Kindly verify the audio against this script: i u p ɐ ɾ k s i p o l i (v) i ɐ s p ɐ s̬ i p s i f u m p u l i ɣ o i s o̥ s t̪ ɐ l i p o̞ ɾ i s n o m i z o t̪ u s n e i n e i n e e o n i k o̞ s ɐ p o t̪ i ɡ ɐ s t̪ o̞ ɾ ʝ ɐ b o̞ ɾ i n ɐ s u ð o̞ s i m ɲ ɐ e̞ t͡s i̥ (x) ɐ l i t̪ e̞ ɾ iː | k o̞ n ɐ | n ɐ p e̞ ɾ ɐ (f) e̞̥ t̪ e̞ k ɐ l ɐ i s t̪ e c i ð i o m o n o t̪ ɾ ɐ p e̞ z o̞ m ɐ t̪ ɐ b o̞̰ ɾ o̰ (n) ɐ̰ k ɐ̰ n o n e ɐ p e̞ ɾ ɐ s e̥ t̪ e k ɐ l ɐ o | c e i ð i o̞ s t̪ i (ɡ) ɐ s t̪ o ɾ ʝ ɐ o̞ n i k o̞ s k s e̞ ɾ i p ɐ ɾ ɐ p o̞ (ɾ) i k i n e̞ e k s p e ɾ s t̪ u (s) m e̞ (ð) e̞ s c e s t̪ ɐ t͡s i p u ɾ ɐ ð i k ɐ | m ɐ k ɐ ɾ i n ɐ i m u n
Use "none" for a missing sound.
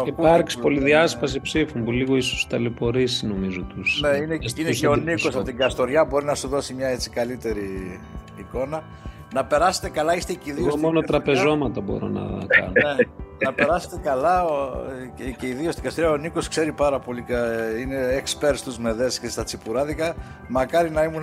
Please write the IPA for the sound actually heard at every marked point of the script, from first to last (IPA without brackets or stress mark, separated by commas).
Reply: ð, k, s, n, ɡ, l, z, ð